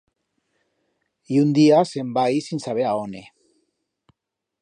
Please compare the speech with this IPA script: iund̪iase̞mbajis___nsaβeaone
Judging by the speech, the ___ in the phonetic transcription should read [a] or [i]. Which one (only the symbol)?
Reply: i